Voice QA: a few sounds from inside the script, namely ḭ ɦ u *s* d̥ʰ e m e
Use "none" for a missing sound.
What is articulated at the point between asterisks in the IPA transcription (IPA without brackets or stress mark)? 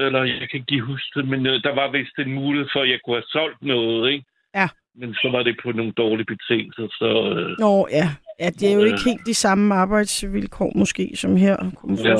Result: s